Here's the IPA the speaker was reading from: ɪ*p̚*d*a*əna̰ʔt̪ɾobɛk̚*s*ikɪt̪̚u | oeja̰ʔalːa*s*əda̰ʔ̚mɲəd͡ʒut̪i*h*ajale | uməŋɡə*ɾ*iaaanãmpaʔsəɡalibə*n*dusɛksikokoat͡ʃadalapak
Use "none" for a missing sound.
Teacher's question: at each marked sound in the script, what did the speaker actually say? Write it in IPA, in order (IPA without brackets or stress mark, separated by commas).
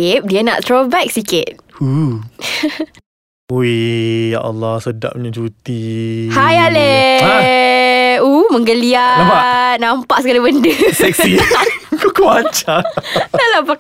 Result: p̚, i, s, s, h, l, n